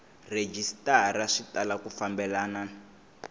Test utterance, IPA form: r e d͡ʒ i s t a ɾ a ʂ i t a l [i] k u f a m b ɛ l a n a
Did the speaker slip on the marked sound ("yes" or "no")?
yes